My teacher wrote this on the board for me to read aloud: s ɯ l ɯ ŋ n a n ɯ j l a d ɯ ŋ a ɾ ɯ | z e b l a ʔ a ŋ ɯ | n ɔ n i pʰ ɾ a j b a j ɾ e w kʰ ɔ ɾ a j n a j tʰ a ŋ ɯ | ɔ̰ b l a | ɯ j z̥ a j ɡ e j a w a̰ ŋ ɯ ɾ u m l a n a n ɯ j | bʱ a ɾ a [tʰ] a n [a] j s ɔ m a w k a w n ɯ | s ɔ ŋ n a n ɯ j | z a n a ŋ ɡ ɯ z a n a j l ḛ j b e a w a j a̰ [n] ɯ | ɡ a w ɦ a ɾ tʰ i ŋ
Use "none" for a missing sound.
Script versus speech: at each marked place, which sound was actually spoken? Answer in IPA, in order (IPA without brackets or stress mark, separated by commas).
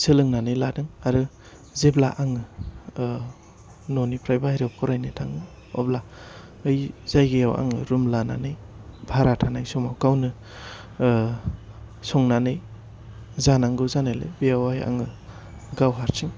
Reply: tʰ, a, ŋ